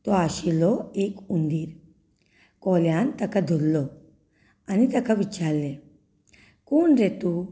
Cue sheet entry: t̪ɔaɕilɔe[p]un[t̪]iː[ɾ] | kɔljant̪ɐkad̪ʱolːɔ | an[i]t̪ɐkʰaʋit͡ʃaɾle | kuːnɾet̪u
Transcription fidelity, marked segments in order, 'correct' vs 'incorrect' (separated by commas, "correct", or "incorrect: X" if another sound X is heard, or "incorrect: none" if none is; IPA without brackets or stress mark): incorrect: k, incorrect: d̪, correct, correct